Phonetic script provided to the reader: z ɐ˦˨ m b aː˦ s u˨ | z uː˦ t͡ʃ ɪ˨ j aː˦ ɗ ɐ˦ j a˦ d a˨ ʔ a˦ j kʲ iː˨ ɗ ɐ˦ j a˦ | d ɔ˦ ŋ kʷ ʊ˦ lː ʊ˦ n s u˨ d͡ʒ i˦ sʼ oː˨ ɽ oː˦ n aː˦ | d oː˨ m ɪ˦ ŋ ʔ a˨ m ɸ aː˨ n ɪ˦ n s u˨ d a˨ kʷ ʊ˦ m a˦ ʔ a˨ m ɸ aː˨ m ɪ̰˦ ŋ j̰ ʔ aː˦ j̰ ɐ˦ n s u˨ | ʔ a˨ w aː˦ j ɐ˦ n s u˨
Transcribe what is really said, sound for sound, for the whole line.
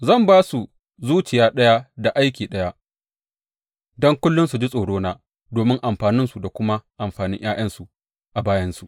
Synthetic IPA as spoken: z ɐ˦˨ m b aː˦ s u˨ | z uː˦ t͡ʃ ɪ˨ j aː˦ ɗ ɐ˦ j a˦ d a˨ ʔ a˦ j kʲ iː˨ ɗ ɐ˦ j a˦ | d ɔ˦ ŋ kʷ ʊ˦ lː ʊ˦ n s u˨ d͡ʒ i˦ sʼ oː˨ ɽ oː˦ n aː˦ | d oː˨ m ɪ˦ ŋ ʔ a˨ m ɸ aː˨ n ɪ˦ n s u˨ d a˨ kʷ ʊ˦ m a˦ ʔ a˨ m ɸ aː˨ n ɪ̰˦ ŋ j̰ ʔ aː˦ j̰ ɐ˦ n s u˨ | ʔ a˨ b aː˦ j ɐ˦ n s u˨

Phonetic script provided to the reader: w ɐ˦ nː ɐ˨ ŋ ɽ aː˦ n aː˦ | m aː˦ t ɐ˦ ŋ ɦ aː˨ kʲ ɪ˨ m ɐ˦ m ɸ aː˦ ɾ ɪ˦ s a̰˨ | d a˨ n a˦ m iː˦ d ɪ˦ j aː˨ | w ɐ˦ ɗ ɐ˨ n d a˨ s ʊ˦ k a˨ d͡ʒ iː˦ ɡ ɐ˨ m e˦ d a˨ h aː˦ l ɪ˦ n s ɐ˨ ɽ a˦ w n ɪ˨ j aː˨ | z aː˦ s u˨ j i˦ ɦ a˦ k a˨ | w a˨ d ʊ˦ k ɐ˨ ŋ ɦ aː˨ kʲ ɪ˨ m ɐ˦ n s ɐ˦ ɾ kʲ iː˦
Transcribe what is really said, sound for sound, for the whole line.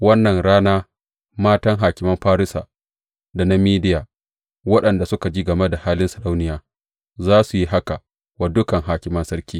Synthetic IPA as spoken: w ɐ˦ nː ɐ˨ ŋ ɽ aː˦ n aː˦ | m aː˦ t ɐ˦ ŋ ɦ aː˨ kʲ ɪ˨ m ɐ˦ m ɸ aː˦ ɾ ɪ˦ s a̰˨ | d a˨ n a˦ m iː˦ d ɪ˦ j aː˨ | w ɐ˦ ɗ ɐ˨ n d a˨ s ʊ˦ k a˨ d͡ʒ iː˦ ɡ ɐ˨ m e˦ d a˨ h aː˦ l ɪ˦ n s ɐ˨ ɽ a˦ w n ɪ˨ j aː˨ | z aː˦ s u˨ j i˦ ɦ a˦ k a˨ | w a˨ d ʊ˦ k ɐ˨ ŋ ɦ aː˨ kʲ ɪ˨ m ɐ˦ n s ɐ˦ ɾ kʲ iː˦

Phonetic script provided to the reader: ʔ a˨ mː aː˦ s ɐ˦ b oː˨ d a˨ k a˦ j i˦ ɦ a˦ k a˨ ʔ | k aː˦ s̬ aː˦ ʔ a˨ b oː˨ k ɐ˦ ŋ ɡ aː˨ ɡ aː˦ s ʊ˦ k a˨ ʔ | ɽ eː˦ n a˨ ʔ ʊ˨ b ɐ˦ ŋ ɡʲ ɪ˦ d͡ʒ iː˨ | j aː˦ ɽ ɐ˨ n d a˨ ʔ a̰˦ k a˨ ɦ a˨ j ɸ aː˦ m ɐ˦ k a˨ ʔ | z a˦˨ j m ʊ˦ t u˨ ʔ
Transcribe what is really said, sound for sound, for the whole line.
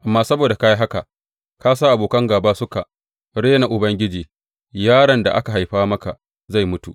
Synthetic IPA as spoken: ʔ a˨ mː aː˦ s ɐ˦ b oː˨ d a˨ k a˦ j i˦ ɦ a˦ k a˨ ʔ | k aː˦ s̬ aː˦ ʔ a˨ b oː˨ k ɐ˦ ŋ ɡ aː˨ b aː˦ s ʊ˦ k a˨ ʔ | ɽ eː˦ n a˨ ʔ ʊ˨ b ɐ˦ ŋ ɡʲ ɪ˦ d͡ʒ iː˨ | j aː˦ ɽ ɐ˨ n d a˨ ʔ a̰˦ k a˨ ɦ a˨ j ɸ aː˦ m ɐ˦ k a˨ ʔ | z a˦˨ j m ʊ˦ t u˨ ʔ

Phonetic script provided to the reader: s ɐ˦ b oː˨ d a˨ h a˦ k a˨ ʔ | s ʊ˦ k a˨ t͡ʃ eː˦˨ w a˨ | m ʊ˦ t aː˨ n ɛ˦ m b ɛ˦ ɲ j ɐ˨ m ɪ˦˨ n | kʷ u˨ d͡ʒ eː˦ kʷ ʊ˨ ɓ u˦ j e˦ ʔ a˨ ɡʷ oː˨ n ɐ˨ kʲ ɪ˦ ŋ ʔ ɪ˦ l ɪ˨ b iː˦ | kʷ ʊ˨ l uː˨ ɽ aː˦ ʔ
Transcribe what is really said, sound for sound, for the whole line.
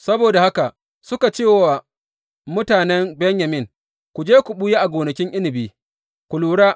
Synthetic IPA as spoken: s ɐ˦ b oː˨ d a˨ h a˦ k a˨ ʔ | s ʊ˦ k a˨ t͡ʃ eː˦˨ w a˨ | m ʊ˦ t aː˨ n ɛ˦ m b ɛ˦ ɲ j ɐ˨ m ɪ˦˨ ŋ | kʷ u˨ d͡ʒ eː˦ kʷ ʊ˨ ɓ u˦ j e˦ ʔ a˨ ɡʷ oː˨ n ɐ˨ kʲ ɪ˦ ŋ ʔ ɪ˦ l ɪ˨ b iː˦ | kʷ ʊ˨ l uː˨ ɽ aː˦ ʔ

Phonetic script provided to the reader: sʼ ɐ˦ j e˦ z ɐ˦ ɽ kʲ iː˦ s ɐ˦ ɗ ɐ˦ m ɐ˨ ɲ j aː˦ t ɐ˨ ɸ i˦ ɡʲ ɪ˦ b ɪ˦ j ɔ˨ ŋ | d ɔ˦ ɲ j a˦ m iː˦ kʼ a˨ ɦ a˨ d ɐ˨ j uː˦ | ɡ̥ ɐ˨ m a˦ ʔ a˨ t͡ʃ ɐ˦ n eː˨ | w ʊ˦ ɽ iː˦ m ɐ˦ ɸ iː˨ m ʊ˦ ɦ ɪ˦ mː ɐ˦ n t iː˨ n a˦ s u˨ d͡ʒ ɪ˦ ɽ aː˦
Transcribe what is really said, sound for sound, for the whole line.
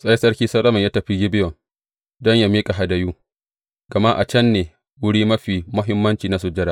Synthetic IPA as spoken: sʼ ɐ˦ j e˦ s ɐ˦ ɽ kʲ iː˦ s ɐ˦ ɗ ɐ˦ m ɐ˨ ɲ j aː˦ t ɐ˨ ɸ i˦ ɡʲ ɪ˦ b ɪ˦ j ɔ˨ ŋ | d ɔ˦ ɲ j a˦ m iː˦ kʼ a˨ ɦ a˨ d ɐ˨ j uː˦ | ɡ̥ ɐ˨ m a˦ ʔ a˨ t͡ʃ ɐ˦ nː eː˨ | w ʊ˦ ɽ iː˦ m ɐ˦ ɸ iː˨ m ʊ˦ ɦ ɪ˦ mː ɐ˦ n t͡ʃ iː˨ n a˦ s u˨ d͡ʒ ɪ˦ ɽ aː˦

